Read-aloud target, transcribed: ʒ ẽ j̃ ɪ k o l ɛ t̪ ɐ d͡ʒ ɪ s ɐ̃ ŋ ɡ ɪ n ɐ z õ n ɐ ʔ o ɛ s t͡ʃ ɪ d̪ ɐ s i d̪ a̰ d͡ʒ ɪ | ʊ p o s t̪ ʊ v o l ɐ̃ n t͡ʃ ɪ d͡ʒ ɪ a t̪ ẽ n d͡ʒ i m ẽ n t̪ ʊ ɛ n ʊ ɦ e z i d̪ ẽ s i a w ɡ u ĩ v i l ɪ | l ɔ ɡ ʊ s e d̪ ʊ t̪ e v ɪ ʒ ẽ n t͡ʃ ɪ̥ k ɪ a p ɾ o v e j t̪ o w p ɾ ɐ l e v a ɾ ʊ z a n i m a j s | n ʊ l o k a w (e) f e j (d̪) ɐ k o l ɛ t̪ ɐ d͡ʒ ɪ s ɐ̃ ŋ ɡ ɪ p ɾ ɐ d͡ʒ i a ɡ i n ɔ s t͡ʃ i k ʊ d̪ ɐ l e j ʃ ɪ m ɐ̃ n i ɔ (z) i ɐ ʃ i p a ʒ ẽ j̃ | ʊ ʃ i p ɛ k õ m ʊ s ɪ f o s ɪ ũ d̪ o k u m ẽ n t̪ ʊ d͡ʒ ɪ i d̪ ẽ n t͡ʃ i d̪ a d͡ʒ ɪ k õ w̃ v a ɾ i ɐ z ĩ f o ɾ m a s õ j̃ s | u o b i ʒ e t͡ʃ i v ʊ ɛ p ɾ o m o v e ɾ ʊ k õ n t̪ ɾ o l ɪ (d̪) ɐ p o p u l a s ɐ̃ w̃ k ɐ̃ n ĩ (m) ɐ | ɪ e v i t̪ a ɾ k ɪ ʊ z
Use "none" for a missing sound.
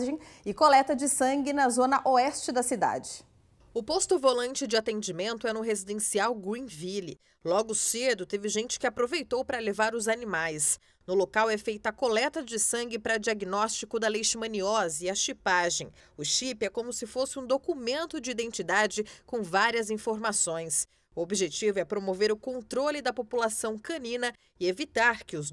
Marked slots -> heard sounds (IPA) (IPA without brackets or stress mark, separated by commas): ɛ, t̪, z, d̪, n